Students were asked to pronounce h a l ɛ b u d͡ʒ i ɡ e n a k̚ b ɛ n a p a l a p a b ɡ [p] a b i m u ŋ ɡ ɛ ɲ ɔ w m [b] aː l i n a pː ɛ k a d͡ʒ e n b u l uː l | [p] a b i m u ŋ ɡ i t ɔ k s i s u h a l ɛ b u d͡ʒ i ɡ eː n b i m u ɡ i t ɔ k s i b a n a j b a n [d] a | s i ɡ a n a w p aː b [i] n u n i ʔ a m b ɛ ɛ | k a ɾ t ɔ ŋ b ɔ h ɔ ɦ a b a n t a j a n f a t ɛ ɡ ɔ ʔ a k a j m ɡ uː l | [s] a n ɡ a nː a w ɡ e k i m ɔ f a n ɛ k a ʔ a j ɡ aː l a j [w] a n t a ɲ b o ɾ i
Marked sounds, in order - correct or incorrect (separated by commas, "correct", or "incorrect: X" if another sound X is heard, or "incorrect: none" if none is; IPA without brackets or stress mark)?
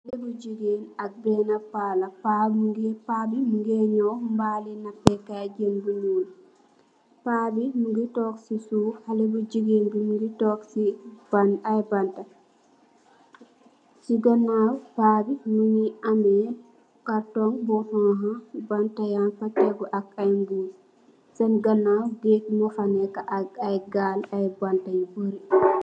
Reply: correct, correct, correct, incorrect: t, correct, correct, incorrect: b